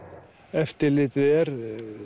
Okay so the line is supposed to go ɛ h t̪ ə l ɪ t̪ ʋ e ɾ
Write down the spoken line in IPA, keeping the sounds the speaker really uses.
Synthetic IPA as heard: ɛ f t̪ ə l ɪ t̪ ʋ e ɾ